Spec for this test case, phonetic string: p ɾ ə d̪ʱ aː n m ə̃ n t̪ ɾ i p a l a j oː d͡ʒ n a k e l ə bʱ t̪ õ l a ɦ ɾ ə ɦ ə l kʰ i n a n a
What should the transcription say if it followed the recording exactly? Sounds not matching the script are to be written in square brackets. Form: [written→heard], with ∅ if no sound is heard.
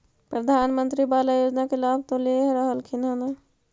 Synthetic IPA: p ɾ ə d̪ʱ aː n m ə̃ n t̪ ɾ i [p→b] a l a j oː d͡ʒ n a k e l [ə→a] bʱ t̪ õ l [a→e] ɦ ɾ ə ɦ ə l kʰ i n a n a

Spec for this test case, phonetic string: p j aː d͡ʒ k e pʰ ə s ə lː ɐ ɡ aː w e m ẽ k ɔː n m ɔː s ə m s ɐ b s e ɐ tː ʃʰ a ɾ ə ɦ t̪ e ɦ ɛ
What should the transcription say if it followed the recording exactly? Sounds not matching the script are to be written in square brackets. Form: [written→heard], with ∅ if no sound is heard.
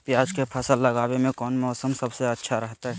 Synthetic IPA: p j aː d͡ʒ k e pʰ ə s ə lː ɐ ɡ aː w e m ẽ k ɔː n m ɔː s ə m s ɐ b s e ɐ tː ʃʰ a ɾ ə ɦ t̪ [e→a] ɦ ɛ

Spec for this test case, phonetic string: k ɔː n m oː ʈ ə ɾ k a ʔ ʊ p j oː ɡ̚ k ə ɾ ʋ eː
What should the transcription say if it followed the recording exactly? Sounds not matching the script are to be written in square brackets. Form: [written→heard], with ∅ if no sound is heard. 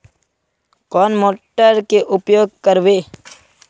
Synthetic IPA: k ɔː n m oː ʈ ə ɾ k [a→e] ʔ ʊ p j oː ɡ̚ k ə ɾ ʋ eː

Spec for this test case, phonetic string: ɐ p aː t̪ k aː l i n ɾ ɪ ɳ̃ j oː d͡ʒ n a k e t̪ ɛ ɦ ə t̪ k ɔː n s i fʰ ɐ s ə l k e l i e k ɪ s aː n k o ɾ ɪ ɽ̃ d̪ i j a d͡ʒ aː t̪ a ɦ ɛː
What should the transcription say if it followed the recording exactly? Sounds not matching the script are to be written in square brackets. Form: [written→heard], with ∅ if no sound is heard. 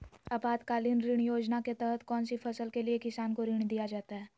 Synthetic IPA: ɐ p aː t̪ k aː l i n ɾ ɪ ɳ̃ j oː d͡ʒ n a k e t̪ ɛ ɦ ə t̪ k ɔː n s i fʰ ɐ s ə l k e l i e k ɪ s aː n k o ɾ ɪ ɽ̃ d̪ i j a d͡ʒ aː t̪ a ɦ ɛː

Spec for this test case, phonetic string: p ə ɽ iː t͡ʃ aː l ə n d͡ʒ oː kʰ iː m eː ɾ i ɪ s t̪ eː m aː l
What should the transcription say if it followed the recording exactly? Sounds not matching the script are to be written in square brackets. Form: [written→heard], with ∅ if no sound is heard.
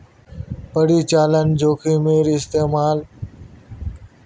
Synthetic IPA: p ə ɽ iː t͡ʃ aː l ə n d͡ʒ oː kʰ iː m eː ɾ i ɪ s t̪ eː m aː l

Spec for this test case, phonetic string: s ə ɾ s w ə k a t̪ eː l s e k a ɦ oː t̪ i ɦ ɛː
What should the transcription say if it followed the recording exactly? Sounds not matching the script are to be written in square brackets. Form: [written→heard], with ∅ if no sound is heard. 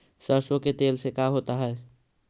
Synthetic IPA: s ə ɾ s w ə k [a→e] t̪ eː l s e k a ɦ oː t̪ [i→a] ɦ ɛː

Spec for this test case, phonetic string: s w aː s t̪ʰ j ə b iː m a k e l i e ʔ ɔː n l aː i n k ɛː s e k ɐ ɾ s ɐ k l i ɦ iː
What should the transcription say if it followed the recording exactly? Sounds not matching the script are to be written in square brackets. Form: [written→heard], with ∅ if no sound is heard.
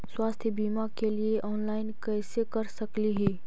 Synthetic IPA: s w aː s t̪ʰ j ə b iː m a k e l i e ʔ ɔː n l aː [i→ɪ] n k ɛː s e k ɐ ɾ s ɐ k l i ɦ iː

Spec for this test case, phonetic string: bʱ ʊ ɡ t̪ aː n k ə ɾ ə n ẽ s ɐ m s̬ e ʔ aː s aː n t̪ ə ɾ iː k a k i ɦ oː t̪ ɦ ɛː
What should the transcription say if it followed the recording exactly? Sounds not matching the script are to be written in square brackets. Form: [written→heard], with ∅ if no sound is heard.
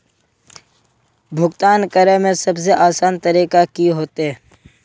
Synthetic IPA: bʱ ʊ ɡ t̪ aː n k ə ɾ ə [n→m] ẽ s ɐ [m→b] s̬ e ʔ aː s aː n t̪ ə ɾ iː k a k i ɦ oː t̪ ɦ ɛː

